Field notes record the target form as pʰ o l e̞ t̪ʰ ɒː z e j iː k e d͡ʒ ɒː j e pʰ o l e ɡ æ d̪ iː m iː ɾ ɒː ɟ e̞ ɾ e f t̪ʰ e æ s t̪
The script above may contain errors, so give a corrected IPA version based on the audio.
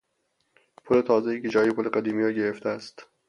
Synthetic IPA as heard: pʰ o l e̞ t̪ʰ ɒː z e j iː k e d͡ʒ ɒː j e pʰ o l e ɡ æ d̪ iː m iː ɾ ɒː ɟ e̞ ɾ e f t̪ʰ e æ s t̪